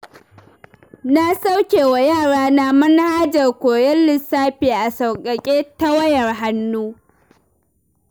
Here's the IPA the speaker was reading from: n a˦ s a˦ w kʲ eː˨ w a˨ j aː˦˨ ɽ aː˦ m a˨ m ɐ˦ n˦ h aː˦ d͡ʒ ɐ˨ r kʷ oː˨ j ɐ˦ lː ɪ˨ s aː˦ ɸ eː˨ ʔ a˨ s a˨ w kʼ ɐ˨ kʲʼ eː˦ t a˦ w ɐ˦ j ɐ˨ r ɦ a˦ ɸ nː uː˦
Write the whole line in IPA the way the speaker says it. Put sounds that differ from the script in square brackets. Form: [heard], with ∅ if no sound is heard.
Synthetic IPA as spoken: n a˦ s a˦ w kʲ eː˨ w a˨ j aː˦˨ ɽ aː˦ [n] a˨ m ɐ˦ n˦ h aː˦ d͡ʒ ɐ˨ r kʷ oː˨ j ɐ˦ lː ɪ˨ s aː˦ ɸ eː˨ ʔ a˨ s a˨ w kʼ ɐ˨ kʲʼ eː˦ t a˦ w ɐ˦ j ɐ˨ r ɦ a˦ [∅] nː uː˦